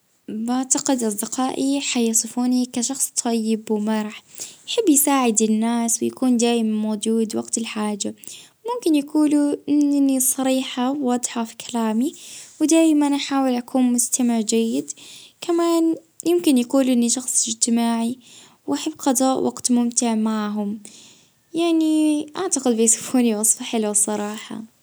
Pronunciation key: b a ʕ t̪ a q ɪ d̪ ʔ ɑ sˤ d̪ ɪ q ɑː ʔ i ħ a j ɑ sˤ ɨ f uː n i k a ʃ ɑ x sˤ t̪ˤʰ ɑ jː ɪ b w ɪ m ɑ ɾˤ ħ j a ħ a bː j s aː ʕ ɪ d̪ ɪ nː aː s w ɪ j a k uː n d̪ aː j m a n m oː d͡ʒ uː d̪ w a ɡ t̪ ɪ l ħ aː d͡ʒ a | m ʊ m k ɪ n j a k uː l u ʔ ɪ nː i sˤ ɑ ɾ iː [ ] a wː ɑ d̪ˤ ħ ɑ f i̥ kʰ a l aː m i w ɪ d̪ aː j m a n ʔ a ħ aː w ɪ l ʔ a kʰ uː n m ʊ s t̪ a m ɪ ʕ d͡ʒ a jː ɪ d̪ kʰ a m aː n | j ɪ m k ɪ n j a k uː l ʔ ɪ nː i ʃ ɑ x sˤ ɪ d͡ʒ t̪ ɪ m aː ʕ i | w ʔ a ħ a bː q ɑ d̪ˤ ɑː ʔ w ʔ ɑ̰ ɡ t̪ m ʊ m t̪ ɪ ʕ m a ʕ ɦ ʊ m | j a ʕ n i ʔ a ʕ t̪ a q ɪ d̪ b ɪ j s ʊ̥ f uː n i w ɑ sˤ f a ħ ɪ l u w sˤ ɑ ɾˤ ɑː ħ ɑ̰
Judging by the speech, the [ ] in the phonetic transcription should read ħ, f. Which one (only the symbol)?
ħ